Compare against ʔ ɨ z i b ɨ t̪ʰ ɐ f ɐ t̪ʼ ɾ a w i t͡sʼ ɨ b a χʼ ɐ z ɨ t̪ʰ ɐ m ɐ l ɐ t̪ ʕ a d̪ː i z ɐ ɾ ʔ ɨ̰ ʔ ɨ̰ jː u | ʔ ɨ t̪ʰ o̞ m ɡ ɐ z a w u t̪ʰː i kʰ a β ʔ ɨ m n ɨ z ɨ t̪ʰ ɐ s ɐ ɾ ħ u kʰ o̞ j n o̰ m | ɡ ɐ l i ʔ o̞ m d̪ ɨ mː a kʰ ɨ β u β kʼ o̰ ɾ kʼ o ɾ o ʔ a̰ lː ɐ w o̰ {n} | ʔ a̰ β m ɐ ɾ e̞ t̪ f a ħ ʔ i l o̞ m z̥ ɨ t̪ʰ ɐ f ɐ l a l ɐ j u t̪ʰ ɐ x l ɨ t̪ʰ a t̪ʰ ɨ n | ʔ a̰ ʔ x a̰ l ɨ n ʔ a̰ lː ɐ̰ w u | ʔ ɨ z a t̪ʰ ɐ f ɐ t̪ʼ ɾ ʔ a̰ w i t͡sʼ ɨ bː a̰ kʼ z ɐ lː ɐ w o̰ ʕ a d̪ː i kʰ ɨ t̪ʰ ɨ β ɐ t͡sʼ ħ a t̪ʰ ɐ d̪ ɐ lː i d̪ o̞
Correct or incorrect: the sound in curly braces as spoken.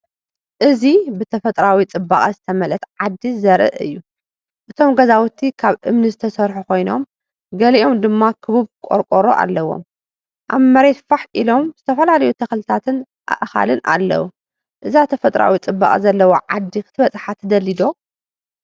incorrect: m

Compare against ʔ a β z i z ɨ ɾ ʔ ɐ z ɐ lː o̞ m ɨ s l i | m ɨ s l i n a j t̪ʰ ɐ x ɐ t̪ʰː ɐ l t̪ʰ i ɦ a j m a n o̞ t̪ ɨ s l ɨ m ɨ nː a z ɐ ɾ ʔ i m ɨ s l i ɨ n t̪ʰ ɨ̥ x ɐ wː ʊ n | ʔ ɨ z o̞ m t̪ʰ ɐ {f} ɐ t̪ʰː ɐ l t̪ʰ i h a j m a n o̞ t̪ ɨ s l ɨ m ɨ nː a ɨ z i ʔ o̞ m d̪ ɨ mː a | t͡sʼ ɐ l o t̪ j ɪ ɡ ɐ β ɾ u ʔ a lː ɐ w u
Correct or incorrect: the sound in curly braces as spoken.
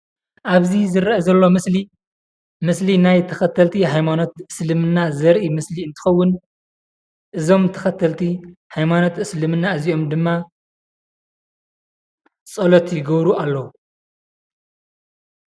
incorrect: x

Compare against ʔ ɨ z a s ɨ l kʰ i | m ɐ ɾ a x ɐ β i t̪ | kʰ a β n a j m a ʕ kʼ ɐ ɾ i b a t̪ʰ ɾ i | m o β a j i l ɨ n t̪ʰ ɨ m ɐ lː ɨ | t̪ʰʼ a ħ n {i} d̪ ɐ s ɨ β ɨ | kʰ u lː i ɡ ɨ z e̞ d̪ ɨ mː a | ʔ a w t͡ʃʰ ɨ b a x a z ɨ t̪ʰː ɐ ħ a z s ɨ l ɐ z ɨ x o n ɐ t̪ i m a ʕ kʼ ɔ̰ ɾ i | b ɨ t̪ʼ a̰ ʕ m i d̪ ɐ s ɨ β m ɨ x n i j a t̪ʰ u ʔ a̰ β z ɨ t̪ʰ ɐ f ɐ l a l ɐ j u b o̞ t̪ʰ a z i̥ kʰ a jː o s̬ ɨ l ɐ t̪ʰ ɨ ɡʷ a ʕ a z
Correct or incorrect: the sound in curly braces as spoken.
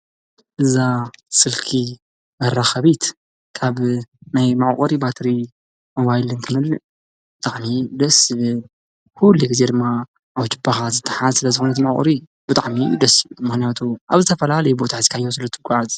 correct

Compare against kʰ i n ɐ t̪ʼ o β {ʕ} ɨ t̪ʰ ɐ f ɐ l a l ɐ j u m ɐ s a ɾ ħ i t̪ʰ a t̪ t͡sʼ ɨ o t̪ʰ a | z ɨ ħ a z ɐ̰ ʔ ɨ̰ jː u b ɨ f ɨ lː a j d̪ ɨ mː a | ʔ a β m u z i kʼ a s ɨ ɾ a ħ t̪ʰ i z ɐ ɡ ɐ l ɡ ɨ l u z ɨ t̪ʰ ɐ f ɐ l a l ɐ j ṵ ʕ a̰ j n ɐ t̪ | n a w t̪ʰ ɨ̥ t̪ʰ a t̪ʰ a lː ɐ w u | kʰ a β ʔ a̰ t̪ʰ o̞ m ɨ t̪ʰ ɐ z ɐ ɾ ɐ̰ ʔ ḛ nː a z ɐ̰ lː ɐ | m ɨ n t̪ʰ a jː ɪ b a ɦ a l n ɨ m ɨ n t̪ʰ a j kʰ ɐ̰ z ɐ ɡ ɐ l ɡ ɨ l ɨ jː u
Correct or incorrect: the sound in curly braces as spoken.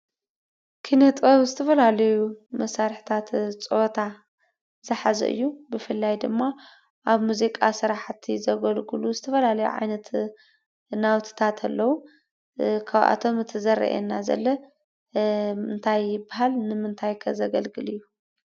incorrect: z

